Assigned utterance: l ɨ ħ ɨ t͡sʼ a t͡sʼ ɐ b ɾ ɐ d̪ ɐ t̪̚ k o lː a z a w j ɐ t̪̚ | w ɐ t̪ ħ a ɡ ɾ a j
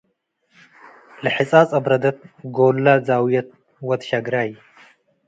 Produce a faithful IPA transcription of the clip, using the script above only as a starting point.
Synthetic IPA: l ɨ ħ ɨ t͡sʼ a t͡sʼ ɐ b ɾ ɐ d̪ ɐ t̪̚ ɡ o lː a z a w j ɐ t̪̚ | w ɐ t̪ ʃ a ɡ ɾ a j